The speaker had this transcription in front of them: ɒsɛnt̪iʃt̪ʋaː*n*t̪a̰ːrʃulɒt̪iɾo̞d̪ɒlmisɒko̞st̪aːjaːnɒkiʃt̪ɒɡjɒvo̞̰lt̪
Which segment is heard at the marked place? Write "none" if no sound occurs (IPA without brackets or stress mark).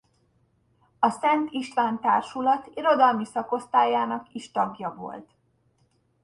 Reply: n